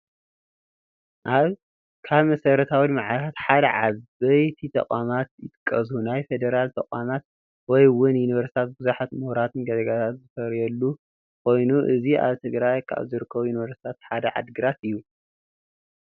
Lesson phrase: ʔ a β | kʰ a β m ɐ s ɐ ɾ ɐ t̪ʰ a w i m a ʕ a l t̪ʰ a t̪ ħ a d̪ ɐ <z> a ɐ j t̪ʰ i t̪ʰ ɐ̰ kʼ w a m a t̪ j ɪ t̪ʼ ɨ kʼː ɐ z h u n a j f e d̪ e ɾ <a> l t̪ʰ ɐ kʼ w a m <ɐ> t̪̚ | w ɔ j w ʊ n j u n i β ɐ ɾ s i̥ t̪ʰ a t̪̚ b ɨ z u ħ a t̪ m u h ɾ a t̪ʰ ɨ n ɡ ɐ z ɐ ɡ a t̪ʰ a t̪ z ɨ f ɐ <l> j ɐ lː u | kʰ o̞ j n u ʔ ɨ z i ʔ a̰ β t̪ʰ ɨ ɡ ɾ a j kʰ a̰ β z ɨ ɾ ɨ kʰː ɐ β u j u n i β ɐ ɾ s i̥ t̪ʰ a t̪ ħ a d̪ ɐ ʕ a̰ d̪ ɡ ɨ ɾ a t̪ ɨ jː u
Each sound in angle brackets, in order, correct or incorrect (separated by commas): incorrect, correct, incorrect, incorrect